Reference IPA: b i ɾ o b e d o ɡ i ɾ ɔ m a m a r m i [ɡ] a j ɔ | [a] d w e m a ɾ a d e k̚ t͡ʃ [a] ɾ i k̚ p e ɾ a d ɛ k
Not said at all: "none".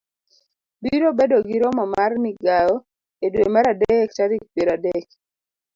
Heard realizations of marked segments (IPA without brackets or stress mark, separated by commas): ɡ, e, a